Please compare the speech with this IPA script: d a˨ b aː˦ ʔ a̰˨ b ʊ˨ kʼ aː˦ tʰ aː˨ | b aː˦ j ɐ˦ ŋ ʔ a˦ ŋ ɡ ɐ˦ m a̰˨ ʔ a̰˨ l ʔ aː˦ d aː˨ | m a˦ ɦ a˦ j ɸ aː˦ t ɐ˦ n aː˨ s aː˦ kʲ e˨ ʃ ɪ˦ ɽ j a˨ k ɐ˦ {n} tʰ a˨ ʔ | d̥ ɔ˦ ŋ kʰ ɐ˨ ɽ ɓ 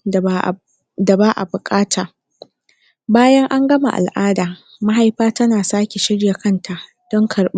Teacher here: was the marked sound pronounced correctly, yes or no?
yes